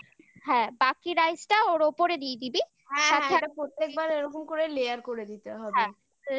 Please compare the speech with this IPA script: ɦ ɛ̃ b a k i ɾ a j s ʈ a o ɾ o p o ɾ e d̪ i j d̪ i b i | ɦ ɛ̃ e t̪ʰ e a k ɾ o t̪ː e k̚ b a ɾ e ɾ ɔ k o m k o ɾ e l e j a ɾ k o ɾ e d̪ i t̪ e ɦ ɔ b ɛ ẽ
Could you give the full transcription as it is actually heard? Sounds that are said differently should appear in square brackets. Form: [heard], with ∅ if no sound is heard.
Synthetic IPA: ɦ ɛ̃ b a k i ɾ a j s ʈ a o ɾ o p o ɾ e d̪ i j d̪ i b i | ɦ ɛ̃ [a] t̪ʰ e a [p] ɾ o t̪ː e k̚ b a ɾ e ɾ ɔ k o m k o ɾ e l e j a ɾ k o ɾ e d̪ i t̪ e ɦ ɔ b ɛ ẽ